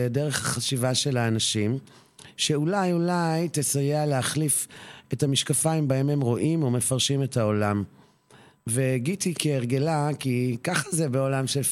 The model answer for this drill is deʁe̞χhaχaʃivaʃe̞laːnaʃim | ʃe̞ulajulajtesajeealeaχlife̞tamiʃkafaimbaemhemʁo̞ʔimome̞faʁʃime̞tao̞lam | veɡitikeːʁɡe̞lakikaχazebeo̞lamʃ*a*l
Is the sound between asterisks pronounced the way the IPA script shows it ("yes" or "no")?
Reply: no